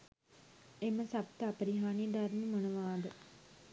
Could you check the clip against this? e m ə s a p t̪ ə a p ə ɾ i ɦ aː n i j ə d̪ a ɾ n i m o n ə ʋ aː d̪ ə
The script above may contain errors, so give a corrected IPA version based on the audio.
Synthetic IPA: e m ə s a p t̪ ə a p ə ɾ i ɦ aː n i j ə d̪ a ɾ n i m o n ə ʋ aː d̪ ə